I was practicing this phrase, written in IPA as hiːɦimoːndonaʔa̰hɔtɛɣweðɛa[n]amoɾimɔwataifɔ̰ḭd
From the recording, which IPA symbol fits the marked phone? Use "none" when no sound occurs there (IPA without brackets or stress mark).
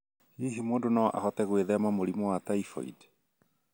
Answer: m